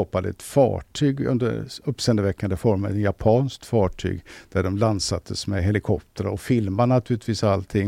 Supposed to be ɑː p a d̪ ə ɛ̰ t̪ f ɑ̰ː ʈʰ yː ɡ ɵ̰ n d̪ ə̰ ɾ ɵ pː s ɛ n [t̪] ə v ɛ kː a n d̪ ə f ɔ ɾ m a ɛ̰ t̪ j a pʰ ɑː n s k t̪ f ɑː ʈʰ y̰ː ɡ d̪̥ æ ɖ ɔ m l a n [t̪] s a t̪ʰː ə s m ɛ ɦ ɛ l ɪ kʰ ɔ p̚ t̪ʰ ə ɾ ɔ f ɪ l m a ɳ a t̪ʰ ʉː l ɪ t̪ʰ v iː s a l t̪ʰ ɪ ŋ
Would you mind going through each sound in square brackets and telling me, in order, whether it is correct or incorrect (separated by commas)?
incorrect, incorrect